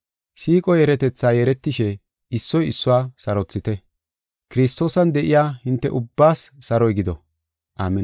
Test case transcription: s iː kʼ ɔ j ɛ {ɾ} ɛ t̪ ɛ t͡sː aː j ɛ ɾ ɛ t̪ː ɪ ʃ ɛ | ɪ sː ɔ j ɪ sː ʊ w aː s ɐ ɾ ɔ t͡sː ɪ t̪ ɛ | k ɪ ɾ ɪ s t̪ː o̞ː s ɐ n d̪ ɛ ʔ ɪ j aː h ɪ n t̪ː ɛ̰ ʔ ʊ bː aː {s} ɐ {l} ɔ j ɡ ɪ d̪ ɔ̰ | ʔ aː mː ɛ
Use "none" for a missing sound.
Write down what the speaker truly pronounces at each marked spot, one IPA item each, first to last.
ɾ, sː, ɾ

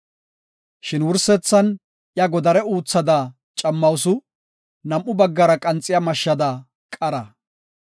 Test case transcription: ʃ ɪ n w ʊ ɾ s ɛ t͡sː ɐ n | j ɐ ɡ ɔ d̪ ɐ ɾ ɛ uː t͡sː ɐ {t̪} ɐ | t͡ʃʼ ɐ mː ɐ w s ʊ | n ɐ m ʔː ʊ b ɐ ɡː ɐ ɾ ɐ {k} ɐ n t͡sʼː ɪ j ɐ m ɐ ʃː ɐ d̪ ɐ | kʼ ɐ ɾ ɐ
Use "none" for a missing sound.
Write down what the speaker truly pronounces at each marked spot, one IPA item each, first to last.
d̪, kʼ

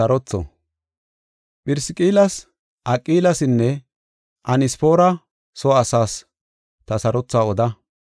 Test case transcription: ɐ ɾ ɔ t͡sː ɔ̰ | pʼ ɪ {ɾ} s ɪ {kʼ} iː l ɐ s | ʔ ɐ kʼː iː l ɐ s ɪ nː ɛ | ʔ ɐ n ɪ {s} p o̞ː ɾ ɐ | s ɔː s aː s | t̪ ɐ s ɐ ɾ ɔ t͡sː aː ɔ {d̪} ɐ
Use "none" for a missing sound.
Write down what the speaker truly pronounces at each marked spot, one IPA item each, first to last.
ɾ, kʼ, s, d̪

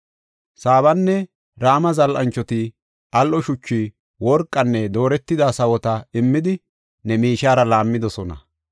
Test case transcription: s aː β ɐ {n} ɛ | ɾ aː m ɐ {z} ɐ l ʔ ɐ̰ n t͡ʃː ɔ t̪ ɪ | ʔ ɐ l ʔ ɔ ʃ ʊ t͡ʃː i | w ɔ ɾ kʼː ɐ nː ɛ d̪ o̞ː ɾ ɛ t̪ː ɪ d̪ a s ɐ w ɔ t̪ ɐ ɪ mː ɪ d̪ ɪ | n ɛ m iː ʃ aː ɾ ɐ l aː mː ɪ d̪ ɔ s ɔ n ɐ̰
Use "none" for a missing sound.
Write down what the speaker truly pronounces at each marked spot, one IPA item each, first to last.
nː, z

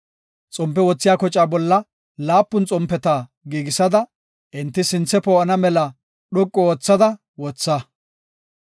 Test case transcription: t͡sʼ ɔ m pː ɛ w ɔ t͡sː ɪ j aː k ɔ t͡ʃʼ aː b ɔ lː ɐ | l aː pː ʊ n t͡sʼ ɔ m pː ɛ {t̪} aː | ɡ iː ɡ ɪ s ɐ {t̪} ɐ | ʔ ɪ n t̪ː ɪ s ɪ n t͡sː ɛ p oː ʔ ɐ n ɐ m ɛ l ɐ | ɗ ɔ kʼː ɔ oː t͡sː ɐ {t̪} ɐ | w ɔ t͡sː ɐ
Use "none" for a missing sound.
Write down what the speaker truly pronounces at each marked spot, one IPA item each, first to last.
t̪, d̪, d̪

